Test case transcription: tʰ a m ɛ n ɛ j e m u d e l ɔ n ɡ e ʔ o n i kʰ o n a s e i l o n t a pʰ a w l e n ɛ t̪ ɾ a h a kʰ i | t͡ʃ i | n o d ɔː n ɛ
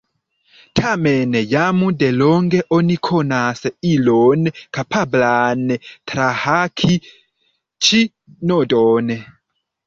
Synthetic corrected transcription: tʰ a m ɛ n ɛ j a m u d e l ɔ ŋ ɡ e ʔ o n i kʰ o n a s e i l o n k a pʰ a b l a n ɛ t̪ ɾ a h a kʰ i | t͡ʃ i | n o d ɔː n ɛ